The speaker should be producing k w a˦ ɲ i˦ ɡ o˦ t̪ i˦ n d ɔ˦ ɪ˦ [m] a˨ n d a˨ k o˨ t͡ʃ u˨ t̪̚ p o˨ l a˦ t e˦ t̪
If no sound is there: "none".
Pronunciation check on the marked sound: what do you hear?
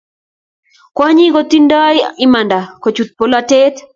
m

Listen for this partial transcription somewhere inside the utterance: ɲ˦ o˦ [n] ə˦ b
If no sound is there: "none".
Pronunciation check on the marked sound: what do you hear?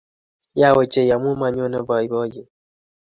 n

